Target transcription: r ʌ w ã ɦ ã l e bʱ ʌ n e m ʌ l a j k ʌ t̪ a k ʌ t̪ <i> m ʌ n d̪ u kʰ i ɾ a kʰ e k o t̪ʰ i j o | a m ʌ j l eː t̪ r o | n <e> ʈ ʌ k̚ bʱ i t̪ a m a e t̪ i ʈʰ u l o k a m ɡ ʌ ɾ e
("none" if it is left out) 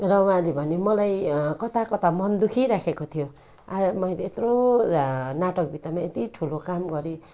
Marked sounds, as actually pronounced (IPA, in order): a, a

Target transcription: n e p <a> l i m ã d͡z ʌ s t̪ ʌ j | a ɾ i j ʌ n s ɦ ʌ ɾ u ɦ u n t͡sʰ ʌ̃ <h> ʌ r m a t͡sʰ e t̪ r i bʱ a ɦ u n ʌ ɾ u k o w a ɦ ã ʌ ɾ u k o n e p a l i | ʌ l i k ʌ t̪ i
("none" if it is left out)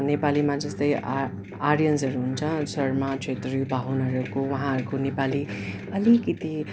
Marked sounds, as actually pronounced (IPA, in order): a, s

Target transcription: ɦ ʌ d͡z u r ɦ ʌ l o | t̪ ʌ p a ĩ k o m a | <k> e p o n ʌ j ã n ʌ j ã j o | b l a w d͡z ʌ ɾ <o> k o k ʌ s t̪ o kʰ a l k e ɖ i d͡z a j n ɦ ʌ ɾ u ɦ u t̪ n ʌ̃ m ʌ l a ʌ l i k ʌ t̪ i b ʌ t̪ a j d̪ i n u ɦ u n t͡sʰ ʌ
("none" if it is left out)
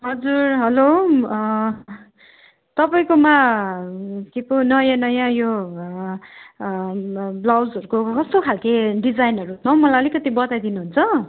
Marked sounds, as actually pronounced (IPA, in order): k, u

